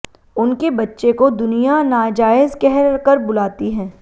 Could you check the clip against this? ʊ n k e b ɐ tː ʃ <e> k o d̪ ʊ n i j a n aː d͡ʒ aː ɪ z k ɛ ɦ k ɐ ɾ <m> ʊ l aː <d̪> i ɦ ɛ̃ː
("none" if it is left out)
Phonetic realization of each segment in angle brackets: e, b, t̪

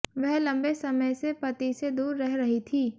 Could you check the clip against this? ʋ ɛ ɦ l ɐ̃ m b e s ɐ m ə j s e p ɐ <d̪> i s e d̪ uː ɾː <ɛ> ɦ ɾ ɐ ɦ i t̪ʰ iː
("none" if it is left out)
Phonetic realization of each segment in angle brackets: t̪, ɛ

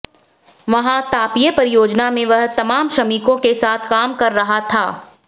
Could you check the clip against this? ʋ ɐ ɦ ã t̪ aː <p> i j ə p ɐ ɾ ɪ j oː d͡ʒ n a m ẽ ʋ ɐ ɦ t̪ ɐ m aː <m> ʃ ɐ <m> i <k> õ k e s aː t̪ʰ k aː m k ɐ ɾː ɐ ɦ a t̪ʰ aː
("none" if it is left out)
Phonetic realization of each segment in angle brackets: p, m, m, k

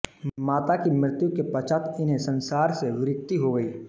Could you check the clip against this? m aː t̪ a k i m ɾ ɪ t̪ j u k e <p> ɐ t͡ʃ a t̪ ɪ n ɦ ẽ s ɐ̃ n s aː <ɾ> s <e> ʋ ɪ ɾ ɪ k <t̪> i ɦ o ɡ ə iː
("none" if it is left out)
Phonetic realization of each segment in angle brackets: p, ɾ, e, t̪

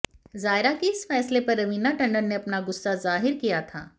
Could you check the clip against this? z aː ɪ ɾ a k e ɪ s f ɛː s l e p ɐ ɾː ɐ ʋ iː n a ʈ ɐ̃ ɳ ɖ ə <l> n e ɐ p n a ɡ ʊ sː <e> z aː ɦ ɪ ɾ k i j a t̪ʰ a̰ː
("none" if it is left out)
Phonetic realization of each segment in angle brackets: ɾ, a

